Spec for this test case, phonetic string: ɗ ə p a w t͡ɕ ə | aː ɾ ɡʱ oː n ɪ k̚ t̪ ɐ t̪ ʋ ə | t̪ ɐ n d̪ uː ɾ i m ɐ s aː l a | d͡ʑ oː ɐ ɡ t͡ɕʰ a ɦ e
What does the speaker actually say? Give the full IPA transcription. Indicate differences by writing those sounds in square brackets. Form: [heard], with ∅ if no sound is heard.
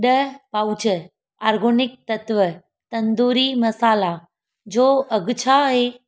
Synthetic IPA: ɗ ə p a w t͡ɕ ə | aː ɾ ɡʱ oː n ɪ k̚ t̪ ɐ t̪ ʋ ə | t̪ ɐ n d̪ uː ɾ i m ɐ s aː l a | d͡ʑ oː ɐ ɡ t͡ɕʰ a ɦ e